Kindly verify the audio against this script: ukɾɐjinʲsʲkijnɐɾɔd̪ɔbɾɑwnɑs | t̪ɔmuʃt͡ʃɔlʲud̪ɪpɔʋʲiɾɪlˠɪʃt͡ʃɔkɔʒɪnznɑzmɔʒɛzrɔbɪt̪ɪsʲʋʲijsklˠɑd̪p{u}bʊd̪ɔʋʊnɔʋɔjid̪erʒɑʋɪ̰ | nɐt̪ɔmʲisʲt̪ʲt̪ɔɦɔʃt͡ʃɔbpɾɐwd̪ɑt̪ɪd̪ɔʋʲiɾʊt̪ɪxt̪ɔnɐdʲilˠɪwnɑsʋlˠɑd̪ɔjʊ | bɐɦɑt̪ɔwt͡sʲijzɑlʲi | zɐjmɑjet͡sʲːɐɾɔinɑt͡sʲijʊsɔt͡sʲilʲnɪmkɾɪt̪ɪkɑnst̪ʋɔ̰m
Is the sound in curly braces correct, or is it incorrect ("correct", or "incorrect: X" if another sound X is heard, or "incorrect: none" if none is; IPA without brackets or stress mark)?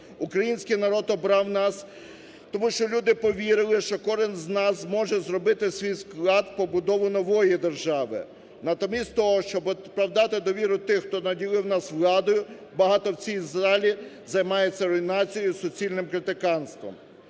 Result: incorrect: ɔ